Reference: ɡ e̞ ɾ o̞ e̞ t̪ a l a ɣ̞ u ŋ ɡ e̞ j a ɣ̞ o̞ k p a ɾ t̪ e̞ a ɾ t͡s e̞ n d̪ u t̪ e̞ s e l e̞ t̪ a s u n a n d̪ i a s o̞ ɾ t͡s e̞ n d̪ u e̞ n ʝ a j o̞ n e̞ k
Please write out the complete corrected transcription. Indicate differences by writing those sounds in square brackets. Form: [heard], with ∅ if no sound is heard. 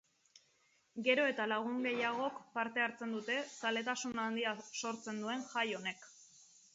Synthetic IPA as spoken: ɡ e̞ ɾ o̞ e̞ t̪ a l a ɣ̞ u ŋ ɡ e̞ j a ɣ̞ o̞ k p a ɾ t̪ e̞ a ɾ t͡s e̞ n d̪ u t̪ e̞ s [a] l e̞ t̪ a s u n a n d̪ i a s o̞ ɾ t͡s e̞ n d̪ u e̞ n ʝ a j o̞ n e̞ k